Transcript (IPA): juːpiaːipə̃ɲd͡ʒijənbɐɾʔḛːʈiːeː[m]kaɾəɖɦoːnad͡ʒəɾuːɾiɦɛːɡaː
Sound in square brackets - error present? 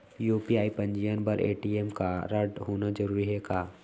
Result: no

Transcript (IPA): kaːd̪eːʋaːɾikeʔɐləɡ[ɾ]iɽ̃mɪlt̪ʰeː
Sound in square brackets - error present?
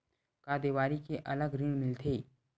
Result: no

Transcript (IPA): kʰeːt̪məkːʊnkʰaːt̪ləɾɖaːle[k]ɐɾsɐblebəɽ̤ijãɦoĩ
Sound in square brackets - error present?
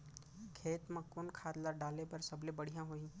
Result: yes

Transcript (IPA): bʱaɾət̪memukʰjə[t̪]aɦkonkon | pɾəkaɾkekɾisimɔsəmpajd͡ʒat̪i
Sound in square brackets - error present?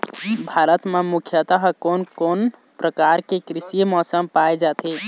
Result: no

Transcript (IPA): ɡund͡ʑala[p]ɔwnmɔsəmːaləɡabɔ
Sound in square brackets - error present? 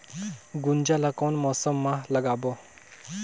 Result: yes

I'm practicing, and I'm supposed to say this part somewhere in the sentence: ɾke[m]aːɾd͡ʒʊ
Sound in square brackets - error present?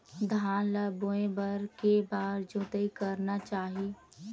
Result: yes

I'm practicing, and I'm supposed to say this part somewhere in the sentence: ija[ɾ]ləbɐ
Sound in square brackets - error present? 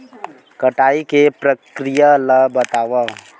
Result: yes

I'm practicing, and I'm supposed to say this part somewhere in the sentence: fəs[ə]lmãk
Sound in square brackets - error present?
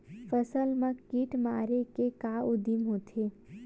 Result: no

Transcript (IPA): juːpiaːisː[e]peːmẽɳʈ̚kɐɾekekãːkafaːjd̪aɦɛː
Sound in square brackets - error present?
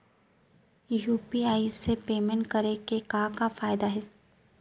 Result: no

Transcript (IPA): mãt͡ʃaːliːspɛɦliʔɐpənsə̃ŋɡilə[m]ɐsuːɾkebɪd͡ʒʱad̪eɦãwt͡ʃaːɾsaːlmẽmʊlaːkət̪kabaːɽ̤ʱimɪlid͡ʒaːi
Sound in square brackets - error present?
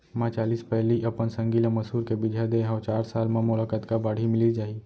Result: no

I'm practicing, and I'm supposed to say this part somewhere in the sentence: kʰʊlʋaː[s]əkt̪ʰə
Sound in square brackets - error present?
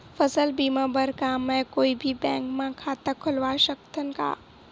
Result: yes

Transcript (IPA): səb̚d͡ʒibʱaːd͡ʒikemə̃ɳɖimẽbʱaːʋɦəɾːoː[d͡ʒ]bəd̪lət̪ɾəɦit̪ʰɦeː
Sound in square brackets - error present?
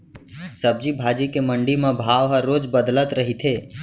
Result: no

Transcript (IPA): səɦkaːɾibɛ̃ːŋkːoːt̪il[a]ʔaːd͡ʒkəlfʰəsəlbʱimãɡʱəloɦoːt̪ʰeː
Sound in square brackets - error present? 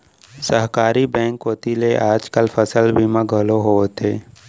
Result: yes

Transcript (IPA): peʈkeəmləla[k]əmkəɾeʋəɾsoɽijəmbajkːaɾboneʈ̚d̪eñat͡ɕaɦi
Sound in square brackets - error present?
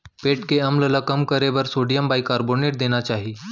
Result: no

